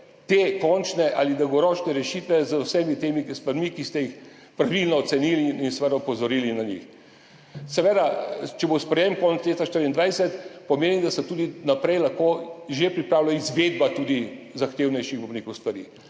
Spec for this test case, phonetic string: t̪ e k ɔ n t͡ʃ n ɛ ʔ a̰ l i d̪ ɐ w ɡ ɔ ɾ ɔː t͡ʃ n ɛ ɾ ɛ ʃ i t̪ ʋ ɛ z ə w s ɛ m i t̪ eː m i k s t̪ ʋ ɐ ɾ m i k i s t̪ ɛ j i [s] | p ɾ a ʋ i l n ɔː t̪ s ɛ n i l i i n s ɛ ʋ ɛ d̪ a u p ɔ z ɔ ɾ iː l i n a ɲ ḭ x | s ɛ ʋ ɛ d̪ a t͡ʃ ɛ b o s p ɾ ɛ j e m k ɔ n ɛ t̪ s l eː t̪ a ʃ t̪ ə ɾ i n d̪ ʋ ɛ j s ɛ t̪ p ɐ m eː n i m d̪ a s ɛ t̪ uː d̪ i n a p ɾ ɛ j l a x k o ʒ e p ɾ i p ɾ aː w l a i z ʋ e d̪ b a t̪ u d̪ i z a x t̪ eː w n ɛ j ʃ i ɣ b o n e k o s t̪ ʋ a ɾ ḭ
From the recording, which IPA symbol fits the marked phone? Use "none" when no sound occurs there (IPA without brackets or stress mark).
x